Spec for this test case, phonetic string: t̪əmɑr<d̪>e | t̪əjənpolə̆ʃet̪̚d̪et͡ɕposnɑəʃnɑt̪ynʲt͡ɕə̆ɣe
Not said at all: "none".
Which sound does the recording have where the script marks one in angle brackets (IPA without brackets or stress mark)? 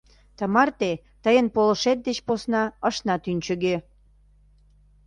t̪